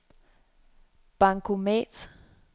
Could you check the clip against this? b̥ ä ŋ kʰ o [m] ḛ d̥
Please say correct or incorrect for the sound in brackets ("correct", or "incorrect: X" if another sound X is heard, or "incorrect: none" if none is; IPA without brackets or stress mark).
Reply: correct